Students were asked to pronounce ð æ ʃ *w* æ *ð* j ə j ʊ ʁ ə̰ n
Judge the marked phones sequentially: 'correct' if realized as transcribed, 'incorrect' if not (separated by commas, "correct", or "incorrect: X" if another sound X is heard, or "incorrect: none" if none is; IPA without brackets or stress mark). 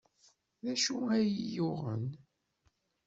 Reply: incorrect: u, incorrect: none